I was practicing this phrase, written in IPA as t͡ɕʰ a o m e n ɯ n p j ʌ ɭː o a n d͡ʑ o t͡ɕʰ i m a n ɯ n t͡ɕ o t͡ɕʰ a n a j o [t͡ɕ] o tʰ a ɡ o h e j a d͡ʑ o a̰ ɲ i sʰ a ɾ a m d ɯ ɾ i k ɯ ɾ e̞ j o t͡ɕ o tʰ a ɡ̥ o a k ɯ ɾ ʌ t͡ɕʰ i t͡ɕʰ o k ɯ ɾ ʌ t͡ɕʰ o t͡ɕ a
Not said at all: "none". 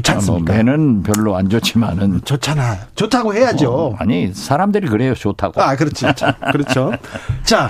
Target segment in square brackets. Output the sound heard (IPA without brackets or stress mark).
t͡ɕ